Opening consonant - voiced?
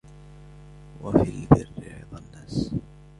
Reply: yes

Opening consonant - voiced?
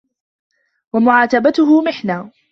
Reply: yes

